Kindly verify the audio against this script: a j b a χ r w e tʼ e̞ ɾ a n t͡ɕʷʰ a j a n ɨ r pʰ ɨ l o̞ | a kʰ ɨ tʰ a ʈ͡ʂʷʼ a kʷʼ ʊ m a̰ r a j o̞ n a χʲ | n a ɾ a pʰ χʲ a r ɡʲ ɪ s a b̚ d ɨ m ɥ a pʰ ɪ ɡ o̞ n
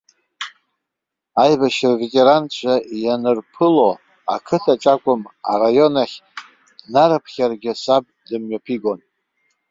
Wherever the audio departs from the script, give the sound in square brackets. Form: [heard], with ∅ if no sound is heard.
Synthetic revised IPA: a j b a [ʃ] r [v] e tʼ e̞ ɾ a n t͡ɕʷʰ a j a n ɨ r pʰ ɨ l o̞ | a kʰ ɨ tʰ a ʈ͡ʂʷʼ a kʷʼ ʊ m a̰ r a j o̞ n a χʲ | n a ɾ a pʰ χʲ a r ɡʲ ɪ s a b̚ d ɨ m ɥ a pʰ [i] ɡ o̞ n